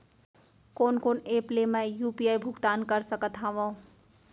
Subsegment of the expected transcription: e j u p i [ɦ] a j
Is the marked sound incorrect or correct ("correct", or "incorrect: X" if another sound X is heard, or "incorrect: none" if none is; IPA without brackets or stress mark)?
incorrect: none